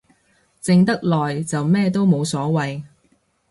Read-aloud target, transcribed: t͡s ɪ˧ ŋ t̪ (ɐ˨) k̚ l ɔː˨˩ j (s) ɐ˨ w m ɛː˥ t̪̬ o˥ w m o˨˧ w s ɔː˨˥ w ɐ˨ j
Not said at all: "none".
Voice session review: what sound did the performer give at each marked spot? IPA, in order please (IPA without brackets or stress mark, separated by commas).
ɐ˥, t͡s